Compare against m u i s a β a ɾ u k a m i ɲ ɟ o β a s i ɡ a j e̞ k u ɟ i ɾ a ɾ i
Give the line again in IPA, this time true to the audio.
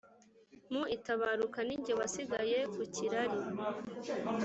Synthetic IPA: m u i t a β a ɾ u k a n i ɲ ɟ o β a s i ɡ a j e̞ k u c i ɾ a ɾ i